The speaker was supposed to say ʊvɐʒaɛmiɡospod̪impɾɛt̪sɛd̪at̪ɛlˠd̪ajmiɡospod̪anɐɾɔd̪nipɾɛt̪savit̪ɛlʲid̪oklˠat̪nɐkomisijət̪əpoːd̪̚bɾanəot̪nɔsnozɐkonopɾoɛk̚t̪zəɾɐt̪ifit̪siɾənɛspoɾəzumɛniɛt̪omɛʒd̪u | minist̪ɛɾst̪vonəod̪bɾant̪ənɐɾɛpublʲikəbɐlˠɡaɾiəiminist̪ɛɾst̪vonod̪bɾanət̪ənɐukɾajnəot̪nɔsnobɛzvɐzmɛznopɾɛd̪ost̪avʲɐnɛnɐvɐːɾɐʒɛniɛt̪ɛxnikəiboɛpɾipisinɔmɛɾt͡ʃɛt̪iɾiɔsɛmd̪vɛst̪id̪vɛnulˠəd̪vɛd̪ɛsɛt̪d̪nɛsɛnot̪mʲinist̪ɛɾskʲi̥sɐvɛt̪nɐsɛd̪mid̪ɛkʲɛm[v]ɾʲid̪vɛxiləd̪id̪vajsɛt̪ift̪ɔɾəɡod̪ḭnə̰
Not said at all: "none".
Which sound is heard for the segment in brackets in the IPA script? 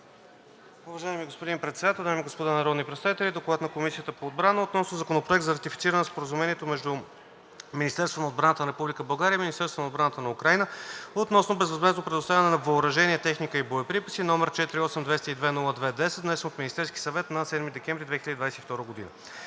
v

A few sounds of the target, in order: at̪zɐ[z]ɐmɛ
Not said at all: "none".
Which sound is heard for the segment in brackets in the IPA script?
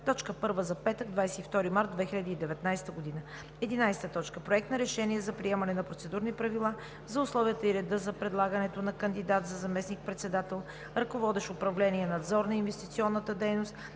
z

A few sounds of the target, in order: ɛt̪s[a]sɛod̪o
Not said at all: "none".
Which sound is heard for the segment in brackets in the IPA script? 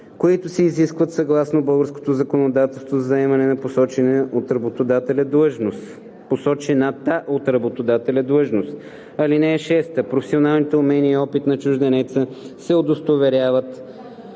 ə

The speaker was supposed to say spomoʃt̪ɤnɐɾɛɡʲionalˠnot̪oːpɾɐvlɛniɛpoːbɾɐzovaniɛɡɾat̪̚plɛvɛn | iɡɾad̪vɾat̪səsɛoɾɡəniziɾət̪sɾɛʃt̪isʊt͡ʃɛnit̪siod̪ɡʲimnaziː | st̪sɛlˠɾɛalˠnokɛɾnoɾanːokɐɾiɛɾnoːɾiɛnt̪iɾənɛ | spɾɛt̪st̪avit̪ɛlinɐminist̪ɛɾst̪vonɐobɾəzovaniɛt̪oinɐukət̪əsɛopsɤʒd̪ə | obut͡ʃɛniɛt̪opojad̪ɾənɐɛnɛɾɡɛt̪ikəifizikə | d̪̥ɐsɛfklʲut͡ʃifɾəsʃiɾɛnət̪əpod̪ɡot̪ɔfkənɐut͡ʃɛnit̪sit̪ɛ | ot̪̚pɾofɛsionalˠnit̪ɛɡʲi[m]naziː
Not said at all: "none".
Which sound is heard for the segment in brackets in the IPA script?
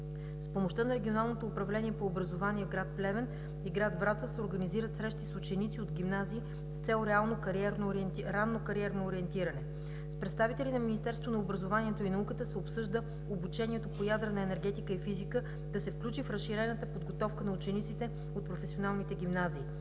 m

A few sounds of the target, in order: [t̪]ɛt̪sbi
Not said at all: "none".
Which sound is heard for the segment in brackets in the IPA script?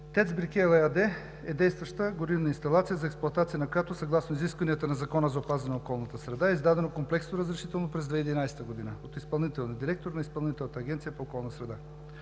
t̪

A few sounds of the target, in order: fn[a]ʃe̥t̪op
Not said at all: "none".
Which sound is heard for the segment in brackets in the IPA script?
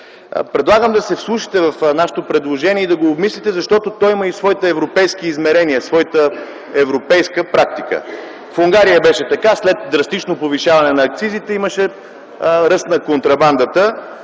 a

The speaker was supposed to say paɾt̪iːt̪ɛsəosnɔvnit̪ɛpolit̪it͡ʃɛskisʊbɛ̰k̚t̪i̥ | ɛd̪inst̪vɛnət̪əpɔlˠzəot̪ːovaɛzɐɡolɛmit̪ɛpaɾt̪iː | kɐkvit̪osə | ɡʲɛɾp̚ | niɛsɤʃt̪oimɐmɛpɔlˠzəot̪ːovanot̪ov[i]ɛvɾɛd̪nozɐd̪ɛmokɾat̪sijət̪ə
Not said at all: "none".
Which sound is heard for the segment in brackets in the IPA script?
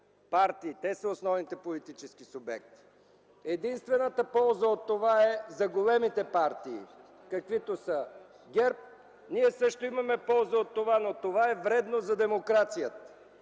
a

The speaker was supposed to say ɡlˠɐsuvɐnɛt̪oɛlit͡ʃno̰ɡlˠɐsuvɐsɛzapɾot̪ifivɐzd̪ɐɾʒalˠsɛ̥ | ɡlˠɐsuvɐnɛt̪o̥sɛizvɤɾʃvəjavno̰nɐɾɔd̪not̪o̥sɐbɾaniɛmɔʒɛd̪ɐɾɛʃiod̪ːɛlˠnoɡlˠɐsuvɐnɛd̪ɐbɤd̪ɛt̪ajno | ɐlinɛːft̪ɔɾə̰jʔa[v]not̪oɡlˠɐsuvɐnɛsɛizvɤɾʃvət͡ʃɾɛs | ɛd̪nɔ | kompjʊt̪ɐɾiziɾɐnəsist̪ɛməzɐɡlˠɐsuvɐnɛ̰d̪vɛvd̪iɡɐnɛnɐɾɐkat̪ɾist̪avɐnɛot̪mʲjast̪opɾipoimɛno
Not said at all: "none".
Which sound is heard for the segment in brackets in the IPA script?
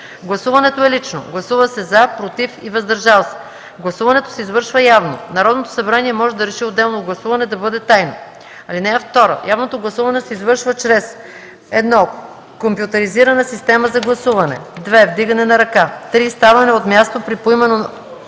v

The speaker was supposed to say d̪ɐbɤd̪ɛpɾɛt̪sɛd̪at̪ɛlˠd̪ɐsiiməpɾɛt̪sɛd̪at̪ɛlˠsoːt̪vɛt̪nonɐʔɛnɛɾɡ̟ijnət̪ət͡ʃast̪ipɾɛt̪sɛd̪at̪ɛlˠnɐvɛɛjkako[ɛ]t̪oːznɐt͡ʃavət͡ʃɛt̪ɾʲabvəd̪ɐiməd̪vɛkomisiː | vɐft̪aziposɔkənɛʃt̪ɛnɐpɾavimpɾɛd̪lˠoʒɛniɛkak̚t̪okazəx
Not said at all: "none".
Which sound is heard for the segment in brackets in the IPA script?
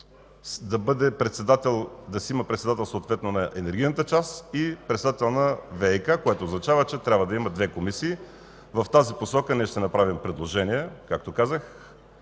ɛ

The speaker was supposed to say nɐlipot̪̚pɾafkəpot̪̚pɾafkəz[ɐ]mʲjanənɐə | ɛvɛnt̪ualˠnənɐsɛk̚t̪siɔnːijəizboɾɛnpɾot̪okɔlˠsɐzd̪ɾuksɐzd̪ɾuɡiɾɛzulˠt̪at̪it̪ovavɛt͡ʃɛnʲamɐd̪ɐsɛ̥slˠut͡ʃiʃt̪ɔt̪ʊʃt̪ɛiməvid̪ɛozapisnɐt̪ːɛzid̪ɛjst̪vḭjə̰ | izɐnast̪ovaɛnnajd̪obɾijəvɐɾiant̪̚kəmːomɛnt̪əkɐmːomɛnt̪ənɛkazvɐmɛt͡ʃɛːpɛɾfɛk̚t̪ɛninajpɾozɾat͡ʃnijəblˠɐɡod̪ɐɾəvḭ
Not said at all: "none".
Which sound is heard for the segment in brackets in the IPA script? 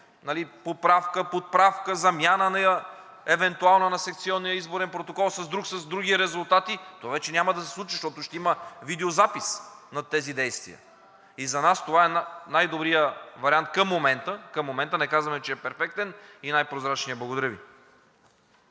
ɐ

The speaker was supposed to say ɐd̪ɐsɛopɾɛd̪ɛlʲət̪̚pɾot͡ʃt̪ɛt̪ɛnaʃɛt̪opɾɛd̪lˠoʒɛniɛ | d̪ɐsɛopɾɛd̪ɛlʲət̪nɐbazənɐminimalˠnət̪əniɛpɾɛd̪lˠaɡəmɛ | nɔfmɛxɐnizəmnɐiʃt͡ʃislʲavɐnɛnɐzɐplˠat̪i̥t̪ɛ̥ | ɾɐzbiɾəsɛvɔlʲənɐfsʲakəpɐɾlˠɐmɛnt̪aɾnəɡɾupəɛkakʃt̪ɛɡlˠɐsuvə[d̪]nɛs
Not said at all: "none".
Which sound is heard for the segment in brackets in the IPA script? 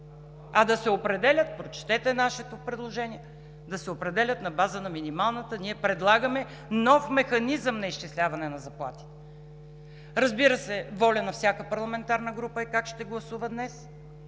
d̪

